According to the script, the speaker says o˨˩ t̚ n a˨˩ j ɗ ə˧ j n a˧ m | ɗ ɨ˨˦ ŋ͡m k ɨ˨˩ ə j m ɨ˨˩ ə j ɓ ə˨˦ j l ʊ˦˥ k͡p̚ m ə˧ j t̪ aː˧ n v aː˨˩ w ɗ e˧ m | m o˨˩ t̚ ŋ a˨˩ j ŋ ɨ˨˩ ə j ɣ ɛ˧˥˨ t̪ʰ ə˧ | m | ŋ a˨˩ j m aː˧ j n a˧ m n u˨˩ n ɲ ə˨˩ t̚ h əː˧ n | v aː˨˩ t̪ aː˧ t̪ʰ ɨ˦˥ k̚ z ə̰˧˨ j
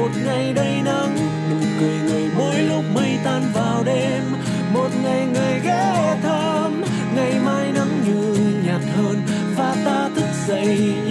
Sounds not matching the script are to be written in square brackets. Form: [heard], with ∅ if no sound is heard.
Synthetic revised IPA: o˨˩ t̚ [ŋ] a˨˩ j ɗ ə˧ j n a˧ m | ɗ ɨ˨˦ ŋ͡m k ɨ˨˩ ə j [ŋ] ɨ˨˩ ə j ɓ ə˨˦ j l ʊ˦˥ k͡p̚ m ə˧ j t̪ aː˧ n v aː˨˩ w ɗ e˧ m | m o˨˩ t̚ ŋ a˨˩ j ŋ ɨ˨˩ ə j ɣ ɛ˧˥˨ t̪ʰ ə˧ | m | ŋ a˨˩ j m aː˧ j n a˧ m [ɲ] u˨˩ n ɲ [a˨˩] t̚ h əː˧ n | v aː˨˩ t̪ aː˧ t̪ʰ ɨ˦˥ k̚ z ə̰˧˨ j